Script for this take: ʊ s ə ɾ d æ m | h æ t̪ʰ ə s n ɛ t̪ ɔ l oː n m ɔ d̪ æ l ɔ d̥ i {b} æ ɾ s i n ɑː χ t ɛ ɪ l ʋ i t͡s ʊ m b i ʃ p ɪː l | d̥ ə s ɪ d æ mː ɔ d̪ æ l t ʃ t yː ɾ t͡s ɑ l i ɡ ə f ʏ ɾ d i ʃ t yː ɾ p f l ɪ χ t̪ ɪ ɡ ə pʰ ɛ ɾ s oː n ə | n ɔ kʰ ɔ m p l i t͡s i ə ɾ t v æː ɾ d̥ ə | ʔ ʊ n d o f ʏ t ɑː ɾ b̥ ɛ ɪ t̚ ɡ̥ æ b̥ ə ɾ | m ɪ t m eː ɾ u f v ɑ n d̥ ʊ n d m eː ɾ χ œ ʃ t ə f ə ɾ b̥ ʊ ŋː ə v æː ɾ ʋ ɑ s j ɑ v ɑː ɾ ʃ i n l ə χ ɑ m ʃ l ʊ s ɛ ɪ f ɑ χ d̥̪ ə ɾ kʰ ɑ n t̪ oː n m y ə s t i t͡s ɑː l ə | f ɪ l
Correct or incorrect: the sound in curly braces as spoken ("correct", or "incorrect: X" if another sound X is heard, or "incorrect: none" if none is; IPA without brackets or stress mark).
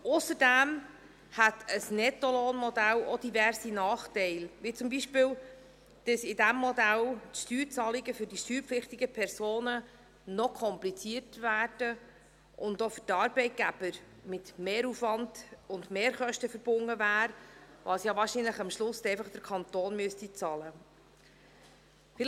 incorrect: v